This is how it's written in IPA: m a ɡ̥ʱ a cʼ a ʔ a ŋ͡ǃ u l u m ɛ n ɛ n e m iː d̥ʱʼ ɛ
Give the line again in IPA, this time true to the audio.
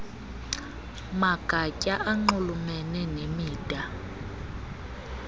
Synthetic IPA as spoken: m a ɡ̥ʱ a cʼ a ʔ a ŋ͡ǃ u l u m ɛ n ɛ n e m iː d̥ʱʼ a